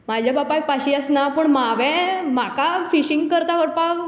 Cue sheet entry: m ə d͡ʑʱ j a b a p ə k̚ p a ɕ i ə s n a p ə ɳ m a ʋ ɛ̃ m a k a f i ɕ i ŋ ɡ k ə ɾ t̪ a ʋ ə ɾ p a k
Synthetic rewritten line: m a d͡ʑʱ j a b a p a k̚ p a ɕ i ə s n a p ə ɳ m a ʋ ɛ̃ m a k a f i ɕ i ŋ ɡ k ə ɾ t̪ a ʋ ə ɾ p a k